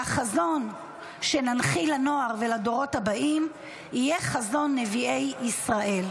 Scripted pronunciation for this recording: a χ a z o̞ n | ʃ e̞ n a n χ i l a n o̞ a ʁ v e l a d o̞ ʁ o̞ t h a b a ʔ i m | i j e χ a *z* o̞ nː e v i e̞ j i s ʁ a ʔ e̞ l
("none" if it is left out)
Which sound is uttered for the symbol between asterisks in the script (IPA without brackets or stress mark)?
z